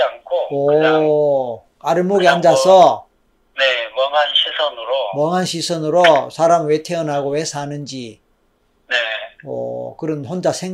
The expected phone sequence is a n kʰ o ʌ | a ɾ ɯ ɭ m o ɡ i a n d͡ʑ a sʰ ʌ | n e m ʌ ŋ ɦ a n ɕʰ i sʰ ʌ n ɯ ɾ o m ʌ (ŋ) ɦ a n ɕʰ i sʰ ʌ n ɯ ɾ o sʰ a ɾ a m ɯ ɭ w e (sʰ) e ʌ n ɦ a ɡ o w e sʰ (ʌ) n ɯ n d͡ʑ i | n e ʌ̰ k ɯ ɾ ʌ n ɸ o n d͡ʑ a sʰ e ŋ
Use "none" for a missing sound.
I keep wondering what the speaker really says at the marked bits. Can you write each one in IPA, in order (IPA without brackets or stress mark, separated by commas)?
ŋ, tʰ, a